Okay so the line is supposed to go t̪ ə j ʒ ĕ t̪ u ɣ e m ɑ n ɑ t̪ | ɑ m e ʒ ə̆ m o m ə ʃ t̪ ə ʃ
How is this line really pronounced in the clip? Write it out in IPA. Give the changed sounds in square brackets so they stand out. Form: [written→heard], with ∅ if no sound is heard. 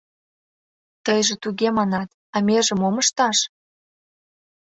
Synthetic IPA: t̪ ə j ʒ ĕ t̪ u ɣ e m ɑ n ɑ t̪ | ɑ m e ʒ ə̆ m o m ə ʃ t̪ [ə→ɑ] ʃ